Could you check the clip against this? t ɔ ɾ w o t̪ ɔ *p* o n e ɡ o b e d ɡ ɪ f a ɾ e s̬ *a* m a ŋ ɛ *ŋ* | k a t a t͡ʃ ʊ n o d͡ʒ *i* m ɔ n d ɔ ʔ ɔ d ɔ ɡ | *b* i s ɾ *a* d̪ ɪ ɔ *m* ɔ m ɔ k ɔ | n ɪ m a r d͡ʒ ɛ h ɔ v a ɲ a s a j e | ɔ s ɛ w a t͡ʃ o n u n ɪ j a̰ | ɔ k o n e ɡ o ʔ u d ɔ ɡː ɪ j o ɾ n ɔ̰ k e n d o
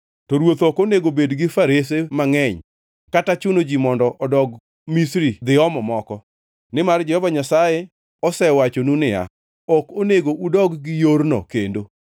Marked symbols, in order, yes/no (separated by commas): no, no, no, yes, no, no, yes